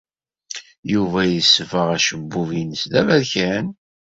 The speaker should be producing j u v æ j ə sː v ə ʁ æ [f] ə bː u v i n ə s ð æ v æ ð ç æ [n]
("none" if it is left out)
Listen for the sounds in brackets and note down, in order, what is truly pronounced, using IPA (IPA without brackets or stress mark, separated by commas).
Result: ʃ, n